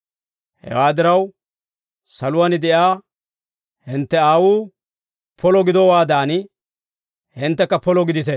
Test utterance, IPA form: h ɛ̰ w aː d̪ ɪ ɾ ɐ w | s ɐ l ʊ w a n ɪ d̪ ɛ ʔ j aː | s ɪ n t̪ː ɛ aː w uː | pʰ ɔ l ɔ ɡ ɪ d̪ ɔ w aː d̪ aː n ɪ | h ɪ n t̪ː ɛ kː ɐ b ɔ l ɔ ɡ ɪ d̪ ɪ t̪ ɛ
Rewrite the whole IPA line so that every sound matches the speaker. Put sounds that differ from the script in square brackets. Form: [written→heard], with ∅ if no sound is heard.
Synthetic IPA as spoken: h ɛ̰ w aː d̪ ɪ ɾ ɐ w | s ɐ l ʊ w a n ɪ d̪ ɛ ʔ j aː | [s→h] ɪ n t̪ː ɛ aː w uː | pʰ ɔ l ɔ ɡ ɪ d̪ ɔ w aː d̪ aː n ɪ | h ɪ n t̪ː ɛ kː ɐ [b→p] ɔ l ɔ ɡ ɪ d̪ ɪ t̪ ɛ